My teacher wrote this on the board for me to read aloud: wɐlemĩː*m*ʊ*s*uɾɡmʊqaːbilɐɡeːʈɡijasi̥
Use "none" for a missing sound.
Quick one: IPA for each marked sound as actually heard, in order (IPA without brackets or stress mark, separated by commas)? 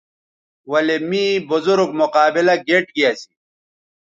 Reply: b, z